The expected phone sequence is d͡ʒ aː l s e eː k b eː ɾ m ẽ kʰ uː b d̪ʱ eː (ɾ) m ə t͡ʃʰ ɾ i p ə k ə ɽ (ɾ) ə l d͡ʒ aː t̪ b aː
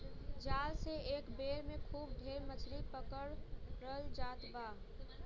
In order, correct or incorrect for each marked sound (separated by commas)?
correct, correct